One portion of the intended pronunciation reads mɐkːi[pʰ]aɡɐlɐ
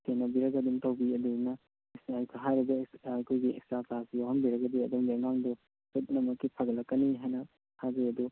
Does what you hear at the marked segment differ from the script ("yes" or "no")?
no